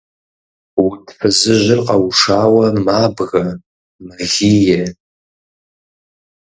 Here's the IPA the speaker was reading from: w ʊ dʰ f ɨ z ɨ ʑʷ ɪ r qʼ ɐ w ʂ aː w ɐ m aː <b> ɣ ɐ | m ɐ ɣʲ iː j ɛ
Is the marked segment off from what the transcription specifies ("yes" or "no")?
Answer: no